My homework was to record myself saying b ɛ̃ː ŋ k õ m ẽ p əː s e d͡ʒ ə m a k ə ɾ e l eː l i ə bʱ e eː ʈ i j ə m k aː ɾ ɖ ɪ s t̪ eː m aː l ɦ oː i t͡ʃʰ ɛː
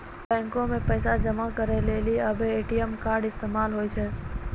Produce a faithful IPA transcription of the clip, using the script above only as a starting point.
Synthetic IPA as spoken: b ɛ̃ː ŋ k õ m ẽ p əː s a d͡ʒ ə m a k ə ɾ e l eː l i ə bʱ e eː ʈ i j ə m k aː ɾ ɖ ɪ s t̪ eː m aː l ɦ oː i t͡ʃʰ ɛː